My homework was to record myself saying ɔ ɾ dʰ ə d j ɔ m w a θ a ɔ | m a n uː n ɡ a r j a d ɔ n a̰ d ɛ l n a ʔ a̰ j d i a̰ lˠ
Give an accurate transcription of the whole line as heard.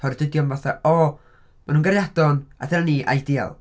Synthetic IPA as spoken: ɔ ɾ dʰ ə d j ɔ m v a θ a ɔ | m a n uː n ɡ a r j a d ɔ n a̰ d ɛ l n i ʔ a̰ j d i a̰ lˠ